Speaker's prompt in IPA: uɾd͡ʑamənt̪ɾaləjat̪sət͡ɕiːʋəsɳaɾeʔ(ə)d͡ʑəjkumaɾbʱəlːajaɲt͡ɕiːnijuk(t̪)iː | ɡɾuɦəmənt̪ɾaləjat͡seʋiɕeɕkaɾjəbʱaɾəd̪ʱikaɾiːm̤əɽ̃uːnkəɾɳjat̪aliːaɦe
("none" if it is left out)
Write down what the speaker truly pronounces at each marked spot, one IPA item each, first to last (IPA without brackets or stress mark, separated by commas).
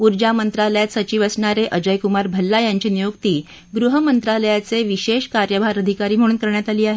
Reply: ə, t̪